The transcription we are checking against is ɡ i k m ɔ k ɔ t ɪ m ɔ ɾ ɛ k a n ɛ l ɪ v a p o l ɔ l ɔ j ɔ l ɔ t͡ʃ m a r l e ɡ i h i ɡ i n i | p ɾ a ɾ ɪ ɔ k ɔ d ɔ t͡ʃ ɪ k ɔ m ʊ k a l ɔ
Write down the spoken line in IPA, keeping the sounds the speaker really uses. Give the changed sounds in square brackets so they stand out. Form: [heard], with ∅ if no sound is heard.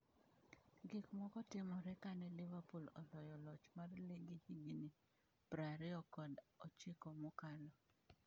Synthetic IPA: ɡ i k m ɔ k ɔ t ɪ m ɔ ɾ ɛ k a n ɛ l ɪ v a p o l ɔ l ɔ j ɔ l ɔ t͡ʃ m a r l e ɡ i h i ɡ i n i | p ɾ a ɾ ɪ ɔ k ɔ d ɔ t͡ʃ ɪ k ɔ m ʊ k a l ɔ

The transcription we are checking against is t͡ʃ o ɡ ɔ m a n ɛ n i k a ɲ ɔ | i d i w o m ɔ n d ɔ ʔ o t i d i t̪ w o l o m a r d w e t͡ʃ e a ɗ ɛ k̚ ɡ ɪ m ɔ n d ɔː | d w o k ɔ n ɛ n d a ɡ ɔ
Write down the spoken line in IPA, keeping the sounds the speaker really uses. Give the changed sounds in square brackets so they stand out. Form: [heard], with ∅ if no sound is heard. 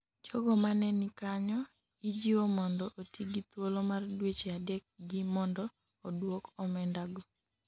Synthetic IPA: t͡ʃ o ɡ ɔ m a n ɛ n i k a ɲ ɔ | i [d͡ʒ] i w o m ɔ n d ɔ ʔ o t i [ɡ] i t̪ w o l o m a r d w e t͡ʃ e a [d] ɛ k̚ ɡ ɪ m ɔ n d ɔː | d w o k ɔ [m] ɛ n d a ɡ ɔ

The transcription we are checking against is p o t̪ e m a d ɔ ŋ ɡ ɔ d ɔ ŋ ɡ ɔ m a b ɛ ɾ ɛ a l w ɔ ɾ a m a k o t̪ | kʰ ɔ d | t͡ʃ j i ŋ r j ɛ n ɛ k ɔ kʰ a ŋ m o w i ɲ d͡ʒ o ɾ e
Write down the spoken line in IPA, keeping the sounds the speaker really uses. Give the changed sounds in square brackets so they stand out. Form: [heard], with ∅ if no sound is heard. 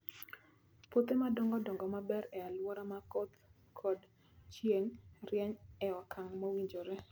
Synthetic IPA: p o t̪ e m a d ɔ ŋ ɡ ɔ d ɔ ŋ ɡ ɔ m a b ɛ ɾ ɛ a l w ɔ ɾ a m a k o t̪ | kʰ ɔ d | t͡ʃ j [e] ŋ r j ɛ [ɲ] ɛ [∅] ɔ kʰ a ŋ m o w i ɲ d͡ʒ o ɾ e

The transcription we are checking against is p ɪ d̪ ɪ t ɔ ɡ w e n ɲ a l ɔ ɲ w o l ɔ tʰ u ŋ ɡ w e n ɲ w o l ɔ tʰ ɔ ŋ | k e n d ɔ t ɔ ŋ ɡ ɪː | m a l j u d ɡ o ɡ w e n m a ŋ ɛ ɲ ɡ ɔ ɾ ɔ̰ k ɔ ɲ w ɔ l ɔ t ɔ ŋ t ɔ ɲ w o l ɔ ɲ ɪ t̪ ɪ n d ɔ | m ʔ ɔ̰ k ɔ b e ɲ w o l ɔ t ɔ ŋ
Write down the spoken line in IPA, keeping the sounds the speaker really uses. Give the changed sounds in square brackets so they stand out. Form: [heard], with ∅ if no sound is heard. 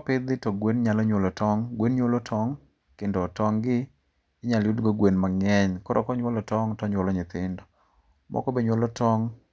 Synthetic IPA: p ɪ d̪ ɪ t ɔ ɡ w e n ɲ a l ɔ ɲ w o l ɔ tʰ [ɔ] ŋ ɡ w e n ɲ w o l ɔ tʰ ɔ ŋ | k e n d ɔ t ɔ ŋ ɡ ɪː | [ɲ] a l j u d ɡ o ɡ w e n m a ŋ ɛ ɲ [k] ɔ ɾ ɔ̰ k ɔ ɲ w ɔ l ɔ t ɔ ŋ t ɔ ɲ w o l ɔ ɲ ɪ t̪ ɪ n d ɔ | m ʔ ɔ̰ k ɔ b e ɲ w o l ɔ t ɔ ŋ

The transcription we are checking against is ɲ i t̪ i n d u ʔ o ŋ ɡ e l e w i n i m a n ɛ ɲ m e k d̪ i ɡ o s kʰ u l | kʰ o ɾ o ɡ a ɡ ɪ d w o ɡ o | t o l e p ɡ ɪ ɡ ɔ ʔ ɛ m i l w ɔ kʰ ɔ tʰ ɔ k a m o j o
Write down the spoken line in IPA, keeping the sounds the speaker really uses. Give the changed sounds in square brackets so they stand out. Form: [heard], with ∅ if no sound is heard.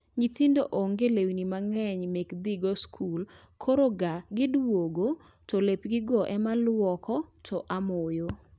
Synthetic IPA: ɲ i t̪ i n d [o] ʔ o ŋ ɡ e l e w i n i m a [ŋ] ɛ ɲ m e k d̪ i ɡ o s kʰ u l | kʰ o ɾ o ɡ a ɡ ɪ d w o ɡ o | t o l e p ɡ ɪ ɡ ɔ ʔ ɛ m [a] l w ɔ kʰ ɔ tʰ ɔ [ʔ] a m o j o

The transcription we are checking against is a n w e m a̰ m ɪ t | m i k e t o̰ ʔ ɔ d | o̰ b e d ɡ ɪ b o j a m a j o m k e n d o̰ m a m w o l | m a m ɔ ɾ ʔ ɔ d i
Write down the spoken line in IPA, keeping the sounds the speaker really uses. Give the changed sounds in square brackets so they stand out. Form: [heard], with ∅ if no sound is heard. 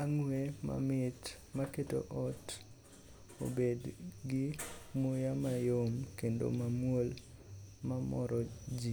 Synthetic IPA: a [ŋ] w e m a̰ m ɪ t | m [a] k e t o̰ ʔ ɔ [t] | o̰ b e d ɡ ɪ [m] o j a m a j o m k e n d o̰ m a m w o l | m a m ɔ ɾ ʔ ɔ [d͡ʒ] i

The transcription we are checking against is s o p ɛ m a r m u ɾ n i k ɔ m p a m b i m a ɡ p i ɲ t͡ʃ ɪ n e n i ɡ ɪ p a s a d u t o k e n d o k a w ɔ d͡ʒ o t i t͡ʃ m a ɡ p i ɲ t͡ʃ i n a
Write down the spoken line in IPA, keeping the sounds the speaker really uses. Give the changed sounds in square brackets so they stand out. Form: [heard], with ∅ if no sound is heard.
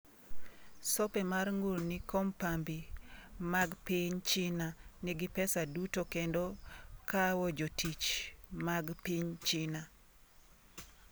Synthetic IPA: s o p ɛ m a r [ŋ] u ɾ n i k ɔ m p a m b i m a ɡ p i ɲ t͡ʃ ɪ n [a] n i ɡ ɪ p [ɛ] s a d u t o k e n d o k a w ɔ d͡ʒ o t i t͡ʃ m a ɡ p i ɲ t͡ʃ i n a

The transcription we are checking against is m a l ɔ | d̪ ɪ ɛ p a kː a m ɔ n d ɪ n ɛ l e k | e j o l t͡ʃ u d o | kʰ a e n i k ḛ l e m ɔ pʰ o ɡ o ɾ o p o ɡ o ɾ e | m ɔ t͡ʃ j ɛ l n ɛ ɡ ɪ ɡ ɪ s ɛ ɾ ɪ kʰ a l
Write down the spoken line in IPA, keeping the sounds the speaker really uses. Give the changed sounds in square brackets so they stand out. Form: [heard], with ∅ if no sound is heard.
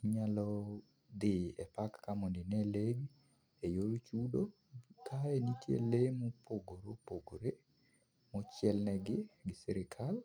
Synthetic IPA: [ɲ] a l ɔ | d̪ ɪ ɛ p a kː a m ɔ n d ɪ n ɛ l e [ɡ] | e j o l t͡ʃ u d o | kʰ a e n i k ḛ l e m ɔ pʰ o ɡ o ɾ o p o ɡ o ɾ e | m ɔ t͡ʃ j ɛ l n ɛ ɡ ɪ ɡ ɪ s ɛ ɾ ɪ kʰ a l

